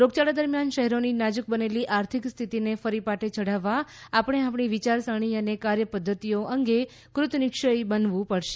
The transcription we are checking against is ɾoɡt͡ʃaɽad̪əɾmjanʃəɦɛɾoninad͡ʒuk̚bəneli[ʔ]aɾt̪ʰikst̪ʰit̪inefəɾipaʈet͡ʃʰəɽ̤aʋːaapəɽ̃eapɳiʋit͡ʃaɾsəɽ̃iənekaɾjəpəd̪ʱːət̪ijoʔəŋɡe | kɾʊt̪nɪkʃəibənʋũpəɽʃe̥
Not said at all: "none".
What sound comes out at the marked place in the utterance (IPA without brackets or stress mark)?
ʔ